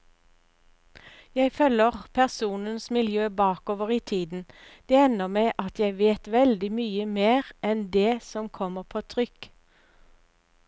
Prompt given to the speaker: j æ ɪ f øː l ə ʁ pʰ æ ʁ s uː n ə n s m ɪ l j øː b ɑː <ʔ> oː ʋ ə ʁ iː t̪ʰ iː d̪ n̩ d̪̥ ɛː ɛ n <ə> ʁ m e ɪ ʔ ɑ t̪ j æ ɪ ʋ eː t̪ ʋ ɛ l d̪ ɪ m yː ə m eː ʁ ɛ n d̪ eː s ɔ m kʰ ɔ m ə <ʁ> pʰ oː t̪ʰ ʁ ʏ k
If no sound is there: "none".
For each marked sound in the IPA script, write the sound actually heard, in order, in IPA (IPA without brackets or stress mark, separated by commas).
k, ə, ʁ